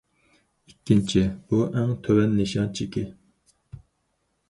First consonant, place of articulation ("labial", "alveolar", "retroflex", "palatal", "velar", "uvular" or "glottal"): velar